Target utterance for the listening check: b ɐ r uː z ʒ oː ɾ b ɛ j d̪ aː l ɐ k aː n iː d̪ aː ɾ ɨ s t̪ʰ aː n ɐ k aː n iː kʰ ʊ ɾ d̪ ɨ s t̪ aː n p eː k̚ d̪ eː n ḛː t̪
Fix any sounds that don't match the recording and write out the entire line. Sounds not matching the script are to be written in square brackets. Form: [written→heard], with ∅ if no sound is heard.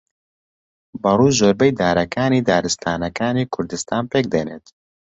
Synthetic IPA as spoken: b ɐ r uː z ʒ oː ɾ b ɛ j d̪ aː [l→ɾ] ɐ k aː n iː d̪ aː ɾ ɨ s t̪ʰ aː n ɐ k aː n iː kʰ ʊ ɾ d̪ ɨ s t̪ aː n p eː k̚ d̪ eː n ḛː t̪